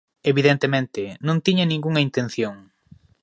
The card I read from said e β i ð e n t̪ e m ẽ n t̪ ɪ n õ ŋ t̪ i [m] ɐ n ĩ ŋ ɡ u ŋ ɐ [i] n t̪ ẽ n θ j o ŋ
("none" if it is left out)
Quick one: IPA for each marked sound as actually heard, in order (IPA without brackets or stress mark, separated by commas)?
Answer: ɲ, i